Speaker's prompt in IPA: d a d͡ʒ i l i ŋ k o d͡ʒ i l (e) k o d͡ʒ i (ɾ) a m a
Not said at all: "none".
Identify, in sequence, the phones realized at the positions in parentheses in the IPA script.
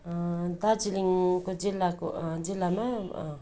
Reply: a, l

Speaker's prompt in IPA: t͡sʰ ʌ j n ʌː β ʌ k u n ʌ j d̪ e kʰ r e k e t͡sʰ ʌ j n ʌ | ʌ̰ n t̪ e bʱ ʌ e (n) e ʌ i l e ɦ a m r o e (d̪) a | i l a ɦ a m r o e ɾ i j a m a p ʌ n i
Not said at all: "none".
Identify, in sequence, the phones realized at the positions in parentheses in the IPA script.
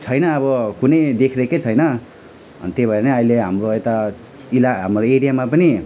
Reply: n, t̪

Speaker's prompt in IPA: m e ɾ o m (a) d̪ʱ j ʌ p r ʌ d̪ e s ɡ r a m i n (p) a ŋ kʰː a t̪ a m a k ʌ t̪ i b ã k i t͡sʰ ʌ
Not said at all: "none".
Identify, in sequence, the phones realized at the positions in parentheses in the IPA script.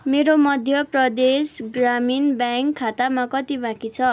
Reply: ʌ, b

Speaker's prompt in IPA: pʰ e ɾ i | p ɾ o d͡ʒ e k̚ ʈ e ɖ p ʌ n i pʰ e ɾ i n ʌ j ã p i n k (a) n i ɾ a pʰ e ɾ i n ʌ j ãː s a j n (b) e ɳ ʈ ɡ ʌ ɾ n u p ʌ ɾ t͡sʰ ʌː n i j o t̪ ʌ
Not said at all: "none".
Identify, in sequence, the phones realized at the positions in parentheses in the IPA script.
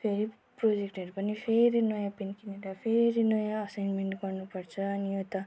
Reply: i, m

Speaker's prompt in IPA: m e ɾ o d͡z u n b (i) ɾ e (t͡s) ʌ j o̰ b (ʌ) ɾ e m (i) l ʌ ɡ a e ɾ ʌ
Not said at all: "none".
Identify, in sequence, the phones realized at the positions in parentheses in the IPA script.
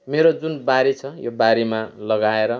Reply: a, t͡sʰ, a, a

